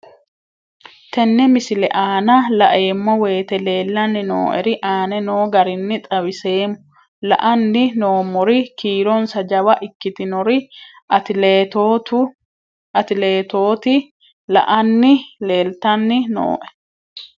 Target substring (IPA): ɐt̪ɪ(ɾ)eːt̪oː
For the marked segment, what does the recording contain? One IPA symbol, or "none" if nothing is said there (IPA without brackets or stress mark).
l